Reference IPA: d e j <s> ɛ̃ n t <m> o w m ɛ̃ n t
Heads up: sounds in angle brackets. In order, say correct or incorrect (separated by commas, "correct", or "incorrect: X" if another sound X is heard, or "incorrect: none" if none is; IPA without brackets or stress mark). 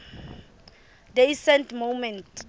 correct, correct